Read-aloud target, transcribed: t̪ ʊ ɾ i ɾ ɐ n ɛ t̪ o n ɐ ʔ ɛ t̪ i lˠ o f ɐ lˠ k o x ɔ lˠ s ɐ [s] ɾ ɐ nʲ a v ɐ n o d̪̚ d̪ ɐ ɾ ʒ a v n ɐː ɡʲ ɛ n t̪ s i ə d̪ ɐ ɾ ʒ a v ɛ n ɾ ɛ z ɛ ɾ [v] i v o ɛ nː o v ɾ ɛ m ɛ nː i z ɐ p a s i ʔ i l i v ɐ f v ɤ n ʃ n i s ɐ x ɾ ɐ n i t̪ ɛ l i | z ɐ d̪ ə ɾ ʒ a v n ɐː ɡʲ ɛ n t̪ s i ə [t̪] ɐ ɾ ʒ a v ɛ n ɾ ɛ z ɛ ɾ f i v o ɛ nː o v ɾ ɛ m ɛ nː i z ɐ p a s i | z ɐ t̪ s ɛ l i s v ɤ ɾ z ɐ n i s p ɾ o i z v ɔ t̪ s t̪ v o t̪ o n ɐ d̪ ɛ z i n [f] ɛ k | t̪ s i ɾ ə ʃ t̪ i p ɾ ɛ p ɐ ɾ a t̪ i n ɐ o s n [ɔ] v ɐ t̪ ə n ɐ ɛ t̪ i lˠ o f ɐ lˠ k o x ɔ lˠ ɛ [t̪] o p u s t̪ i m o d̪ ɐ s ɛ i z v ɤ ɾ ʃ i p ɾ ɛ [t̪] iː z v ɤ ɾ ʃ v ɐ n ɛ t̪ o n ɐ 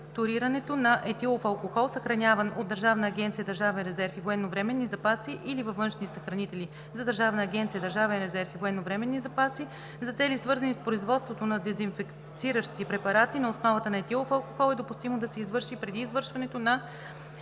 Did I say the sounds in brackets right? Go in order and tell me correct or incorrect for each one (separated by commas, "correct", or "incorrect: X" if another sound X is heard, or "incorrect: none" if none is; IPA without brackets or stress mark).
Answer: incorrect: x, incorrect: f, incorrect: d̪, correct, correct, incorrect: d̪, incorrect: d̪